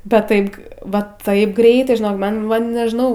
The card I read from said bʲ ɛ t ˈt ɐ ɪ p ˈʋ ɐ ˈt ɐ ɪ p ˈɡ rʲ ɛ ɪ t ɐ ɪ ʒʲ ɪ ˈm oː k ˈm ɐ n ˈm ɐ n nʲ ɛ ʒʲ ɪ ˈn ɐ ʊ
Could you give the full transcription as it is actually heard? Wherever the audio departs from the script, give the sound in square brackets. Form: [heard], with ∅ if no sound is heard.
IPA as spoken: bʲ ɛ t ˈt ɐ ɪ p ˈʋ ɐ ˈt ɐ ɪ p ˈɡ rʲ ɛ ɪ t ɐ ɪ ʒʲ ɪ [ˈn] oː k ˈm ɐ n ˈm ɐ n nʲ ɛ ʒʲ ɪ ˈn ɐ ʊ